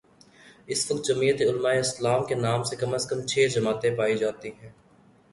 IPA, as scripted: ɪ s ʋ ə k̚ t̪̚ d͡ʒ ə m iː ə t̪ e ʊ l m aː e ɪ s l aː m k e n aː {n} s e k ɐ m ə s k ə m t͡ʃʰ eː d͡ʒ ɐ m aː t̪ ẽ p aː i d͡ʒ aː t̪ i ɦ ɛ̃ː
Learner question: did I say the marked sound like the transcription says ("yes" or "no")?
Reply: no